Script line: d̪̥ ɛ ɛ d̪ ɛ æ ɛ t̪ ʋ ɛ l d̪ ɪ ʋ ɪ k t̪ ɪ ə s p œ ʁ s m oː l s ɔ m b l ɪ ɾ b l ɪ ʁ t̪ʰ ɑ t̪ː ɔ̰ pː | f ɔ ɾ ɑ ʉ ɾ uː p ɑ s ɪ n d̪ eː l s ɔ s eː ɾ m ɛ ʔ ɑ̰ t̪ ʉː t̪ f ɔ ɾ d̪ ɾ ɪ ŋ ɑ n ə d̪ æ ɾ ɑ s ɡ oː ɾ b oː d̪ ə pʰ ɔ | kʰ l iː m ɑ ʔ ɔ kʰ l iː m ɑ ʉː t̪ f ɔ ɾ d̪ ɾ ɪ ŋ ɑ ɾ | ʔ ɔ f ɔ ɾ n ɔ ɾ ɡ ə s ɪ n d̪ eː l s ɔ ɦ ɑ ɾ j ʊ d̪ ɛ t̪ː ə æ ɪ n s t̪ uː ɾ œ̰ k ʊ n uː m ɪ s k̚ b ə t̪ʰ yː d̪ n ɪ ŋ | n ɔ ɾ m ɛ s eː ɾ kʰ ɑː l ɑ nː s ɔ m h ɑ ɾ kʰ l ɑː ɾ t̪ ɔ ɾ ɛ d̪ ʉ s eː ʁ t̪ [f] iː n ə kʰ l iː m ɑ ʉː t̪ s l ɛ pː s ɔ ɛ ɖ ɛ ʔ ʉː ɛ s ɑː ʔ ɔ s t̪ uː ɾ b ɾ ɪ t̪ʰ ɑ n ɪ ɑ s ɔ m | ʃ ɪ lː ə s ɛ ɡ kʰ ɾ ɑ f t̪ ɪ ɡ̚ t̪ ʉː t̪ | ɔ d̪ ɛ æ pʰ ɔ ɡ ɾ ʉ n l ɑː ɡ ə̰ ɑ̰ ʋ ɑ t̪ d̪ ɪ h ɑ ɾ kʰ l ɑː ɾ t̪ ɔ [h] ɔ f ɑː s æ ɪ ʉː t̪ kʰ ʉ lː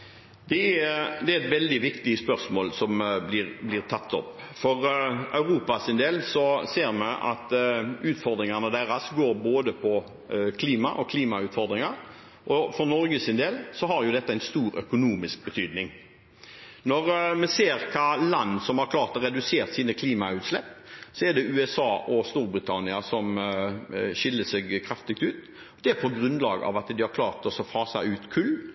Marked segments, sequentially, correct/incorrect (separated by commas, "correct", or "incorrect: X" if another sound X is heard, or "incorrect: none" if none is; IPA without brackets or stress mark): incorrect: s, incorrect: s